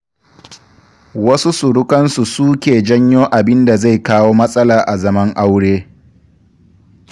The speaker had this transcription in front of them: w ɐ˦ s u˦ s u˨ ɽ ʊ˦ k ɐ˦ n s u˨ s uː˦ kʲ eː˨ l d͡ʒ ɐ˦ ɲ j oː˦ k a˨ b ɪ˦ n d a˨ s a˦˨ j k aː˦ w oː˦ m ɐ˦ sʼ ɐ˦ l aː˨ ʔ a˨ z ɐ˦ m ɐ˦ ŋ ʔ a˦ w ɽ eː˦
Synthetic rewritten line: w ɐ˦ s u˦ s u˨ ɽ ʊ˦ k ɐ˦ n s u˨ s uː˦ kʲ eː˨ d͡ʒ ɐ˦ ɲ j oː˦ ʔ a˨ b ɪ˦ n d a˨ z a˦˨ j k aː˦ w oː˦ m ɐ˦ sʼ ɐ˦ l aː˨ ʔ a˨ z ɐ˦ m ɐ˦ ŋ ʔ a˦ w ɽ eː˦